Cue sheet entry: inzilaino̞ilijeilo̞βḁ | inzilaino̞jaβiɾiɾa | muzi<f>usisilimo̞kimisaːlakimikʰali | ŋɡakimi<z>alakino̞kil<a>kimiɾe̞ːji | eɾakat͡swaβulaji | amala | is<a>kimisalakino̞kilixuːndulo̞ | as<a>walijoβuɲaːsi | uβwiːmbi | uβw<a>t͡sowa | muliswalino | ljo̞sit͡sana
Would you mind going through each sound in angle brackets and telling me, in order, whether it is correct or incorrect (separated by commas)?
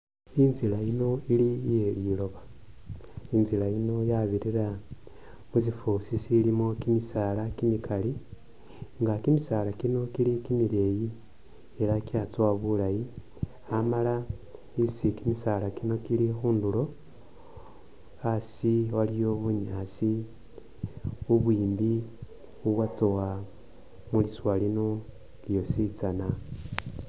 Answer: correct, incorrect, incorrect, incorrect, incorrect, correct